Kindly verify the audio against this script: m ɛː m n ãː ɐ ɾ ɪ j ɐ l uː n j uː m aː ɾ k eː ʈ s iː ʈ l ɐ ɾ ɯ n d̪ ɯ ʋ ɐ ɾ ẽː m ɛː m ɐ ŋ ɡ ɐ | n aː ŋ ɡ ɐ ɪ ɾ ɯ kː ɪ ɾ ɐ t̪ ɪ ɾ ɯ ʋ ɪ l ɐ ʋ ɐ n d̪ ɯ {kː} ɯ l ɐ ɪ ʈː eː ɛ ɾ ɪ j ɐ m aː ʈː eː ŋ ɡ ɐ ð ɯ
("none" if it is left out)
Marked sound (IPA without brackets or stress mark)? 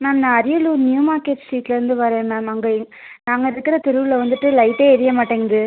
ʈː